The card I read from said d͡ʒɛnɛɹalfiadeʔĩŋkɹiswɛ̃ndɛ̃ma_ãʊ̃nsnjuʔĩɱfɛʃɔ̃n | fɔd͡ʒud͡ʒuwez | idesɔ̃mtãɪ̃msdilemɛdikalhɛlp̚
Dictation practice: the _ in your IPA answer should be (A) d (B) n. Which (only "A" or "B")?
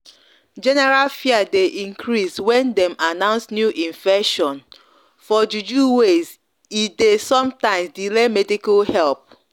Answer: B